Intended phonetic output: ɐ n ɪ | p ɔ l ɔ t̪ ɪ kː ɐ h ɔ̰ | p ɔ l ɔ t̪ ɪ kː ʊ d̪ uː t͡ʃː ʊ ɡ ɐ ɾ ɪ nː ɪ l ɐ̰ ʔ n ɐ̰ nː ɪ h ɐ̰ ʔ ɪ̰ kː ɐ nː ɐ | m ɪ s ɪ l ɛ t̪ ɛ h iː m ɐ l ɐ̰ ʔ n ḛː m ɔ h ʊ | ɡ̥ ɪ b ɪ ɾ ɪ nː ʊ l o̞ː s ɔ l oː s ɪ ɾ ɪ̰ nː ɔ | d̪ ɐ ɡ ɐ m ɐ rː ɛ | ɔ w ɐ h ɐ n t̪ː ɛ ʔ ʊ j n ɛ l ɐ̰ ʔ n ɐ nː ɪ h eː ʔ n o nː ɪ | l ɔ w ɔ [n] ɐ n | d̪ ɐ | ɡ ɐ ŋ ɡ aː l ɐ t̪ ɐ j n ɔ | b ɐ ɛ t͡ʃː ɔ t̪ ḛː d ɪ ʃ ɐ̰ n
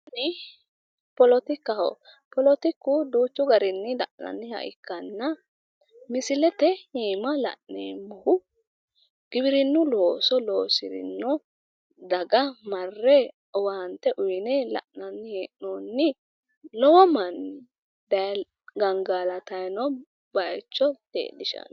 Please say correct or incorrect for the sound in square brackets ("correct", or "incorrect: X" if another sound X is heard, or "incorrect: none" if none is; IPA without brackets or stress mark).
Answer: incorrect: m